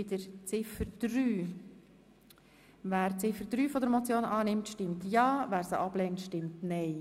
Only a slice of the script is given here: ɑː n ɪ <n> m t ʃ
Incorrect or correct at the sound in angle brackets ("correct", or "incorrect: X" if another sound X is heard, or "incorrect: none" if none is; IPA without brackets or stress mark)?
incorrect: none